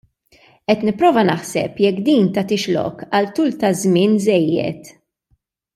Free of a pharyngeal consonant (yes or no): no